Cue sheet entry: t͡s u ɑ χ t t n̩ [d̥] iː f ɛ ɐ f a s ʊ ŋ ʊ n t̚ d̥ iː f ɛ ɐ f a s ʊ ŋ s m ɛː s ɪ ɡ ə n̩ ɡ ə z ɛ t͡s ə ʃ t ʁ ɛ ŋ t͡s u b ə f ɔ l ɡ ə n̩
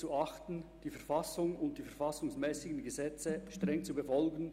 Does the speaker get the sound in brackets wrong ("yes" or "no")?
no